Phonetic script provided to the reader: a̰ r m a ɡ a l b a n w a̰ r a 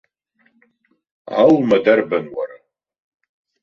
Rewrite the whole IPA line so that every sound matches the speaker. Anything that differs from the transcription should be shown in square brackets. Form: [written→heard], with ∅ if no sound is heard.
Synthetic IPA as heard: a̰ [r→l] m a [ɡ→d] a [l→r] b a n w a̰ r a